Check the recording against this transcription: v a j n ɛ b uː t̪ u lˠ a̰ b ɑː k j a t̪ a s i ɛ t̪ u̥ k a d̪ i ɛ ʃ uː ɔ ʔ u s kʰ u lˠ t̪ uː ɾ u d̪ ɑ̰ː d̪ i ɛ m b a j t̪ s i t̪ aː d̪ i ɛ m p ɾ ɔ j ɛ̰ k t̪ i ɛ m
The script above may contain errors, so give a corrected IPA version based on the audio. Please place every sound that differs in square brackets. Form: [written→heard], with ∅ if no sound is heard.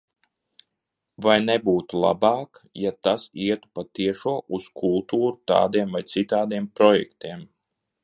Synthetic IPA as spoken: v a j n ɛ b uː t̪ u lˠ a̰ b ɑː k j a t̪ a s i ɛ t̪ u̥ [k→p] a [d̪→t̪] i ɛ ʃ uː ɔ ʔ u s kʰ u lˠ t̪ uː ɾ u [d̪→t̪] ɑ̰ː d̪ i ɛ m [b→v] a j t̪ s i t̪ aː d̪ i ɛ m p ɾ ɔ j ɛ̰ k t̪ i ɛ m